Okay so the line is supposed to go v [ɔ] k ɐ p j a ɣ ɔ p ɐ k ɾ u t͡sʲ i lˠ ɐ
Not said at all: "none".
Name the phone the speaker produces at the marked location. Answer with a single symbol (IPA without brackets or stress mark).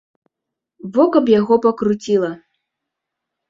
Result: ɔ